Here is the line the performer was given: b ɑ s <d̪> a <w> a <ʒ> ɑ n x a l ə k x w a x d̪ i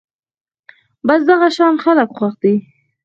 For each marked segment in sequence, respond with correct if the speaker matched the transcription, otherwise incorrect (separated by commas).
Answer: correct, incorrect, incorrect